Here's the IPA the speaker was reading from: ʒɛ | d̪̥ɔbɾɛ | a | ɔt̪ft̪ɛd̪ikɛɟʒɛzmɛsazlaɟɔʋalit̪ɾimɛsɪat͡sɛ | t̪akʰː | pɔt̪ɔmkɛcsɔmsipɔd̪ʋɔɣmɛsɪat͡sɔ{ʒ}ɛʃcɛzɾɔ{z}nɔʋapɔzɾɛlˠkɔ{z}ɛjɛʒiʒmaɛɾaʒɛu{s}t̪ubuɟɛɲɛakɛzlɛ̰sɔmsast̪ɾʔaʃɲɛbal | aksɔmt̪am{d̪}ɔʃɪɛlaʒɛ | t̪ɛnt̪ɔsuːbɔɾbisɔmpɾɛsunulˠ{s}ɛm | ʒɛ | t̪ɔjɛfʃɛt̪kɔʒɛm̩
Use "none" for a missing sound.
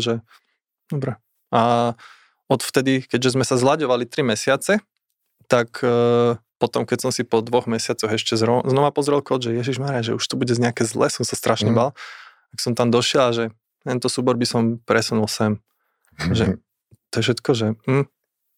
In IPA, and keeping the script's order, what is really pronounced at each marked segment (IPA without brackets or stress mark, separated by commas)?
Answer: ɣ, z, ʒ, ʃ, d̪, s